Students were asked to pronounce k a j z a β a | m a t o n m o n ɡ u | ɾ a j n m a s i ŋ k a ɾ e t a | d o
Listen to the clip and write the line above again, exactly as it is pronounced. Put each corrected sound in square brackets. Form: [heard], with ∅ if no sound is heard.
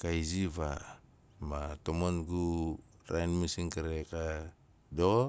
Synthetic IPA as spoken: k a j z [i] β a | m a t o [∅] m o n ɡ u | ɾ a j n m [i] s i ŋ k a ɾ e [k] a | d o